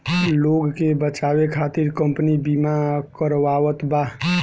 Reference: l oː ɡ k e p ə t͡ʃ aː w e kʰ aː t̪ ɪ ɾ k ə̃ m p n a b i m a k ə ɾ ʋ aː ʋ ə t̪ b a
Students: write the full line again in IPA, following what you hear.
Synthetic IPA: l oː ɡ k e b ə t͡ʃ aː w e kʰ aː t̪ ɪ ɾ k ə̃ m p n i b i m a k ə ɾ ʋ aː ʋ ə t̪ b a